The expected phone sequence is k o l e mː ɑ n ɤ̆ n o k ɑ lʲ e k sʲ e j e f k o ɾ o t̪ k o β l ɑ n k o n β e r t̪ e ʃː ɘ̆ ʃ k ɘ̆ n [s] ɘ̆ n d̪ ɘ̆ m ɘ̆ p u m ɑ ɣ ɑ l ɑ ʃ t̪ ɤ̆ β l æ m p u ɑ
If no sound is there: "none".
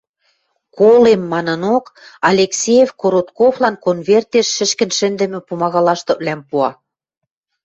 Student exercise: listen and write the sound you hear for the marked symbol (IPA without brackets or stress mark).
ʃ